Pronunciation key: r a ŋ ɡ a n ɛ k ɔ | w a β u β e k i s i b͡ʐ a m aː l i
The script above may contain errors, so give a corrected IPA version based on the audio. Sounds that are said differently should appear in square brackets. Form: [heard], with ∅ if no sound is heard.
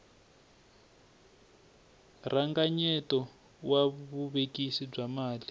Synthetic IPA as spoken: r a ŋ ɡ a [ɲ] ɛ [t] ɔ | w a β u β e k i s i b͡ʐ a m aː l i